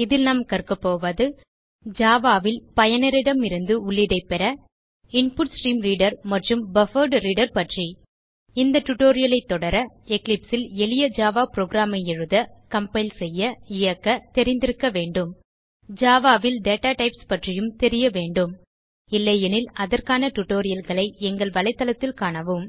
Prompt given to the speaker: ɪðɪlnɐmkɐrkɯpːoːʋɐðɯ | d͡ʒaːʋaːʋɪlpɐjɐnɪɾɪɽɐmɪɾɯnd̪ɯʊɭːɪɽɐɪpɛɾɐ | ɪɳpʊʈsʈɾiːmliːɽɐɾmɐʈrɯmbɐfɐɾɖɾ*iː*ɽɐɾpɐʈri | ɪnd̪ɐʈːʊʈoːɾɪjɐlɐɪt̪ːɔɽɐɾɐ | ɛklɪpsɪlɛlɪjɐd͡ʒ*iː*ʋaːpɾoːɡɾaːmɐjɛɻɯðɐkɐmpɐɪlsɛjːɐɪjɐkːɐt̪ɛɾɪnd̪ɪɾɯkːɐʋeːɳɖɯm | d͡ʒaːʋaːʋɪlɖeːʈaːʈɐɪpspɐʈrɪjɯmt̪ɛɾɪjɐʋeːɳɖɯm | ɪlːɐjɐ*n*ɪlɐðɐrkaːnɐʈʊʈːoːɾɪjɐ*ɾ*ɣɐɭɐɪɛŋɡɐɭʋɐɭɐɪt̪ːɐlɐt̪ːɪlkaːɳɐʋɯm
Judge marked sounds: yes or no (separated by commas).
yes, no, yes, no